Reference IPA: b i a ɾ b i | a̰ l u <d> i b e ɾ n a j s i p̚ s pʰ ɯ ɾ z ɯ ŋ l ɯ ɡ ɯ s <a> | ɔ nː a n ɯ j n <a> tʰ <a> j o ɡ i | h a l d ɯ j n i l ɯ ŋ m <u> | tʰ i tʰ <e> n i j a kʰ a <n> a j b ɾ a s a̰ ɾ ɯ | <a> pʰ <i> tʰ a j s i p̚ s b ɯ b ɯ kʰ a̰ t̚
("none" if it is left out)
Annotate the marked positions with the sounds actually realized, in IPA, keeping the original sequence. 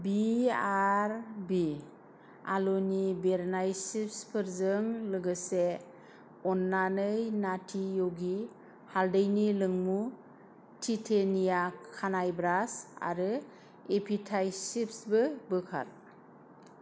n, e, a, i, u, e, n, e, i

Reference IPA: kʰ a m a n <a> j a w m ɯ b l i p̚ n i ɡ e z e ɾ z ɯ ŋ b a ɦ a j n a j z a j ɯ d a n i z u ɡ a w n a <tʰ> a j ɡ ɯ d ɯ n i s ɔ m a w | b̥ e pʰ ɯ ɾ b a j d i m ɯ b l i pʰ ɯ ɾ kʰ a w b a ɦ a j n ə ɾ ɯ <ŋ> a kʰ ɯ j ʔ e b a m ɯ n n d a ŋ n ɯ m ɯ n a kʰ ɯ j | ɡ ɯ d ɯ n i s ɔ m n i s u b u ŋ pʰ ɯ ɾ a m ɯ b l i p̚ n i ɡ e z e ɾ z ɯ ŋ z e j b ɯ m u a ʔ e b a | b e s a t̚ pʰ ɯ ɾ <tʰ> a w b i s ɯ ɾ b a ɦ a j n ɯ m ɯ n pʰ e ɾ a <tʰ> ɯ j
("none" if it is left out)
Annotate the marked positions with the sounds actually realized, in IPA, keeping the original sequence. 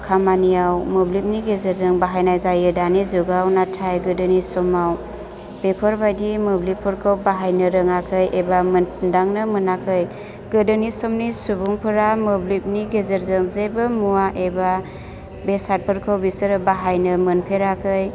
i, tʰ, ŋ, kʰ, kʰ

